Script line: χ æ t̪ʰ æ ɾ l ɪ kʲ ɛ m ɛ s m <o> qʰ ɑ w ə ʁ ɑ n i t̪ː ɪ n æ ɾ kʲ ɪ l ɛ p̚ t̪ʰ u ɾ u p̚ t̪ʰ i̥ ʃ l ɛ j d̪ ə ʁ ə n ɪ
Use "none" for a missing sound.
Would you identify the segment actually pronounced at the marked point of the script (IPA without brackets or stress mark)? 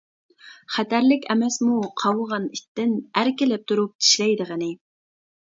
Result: u